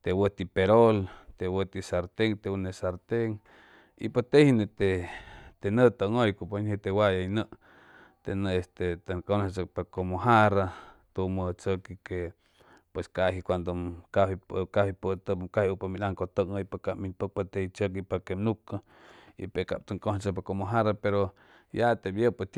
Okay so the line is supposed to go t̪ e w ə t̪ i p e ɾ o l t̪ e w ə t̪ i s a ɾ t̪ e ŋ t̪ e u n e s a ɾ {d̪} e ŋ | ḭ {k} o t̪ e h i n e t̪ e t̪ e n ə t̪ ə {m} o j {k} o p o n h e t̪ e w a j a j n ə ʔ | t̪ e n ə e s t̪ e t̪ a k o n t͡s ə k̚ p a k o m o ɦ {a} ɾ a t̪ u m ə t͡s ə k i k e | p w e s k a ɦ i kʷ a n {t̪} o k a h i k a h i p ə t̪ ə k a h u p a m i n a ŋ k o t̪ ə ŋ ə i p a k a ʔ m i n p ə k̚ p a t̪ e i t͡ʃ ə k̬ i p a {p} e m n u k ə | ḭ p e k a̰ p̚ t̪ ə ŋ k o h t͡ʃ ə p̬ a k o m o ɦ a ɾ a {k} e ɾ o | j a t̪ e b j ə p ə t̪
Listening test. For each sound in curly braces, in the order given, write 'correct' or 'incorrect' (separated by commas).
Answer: incorrect, incorrect, incorrect, correct, correct, incorrect, incorrect, incorrect